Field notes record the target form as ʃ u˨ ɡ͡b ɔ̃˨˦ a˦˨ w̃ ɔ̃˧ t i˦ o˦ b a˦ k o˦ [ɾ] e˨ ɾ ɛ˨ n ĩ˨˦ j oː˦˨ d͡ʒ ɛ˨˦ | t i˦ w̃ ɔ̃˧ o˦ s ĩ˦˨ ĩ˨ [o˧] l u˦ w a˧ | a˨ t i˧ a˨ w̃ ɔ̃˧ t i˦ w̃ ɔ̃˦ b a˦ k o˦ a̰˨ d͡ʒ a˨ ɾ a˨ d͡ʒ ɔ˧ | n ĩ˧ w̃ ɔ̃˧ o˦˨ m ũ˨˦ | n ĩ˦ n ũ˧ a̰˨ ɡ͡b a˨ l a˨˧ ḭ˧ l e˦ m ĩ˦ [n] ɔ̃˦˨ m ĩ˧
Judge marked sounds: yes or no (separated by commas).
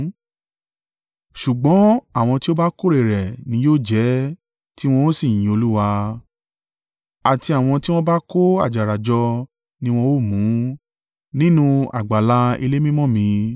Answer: yes, yes, no